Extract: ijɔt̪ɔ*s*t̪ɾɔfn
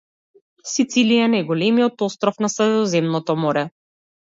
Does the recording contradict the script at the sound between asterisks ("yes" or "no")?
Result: no